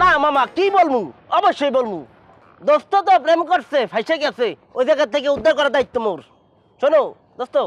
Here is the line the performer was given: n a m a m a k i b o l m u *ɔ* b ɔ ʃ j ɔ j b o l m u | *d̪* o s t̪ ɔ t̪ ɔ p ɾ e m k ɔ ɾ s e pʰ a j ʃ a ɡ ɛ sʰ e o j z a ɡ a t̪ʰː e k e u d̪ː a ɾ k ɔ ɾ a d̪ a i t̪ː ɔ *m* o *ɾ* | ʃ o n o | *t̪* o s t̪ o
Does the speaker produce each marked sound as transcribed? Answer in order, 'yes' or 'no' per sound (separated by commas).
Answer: yes, yes, yes, yes, no